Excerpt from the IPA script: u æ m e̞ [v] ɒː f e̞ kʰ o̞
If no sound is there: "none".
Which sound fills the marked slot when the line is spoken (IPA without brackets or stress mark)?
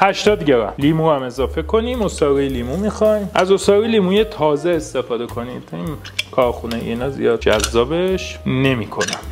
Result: z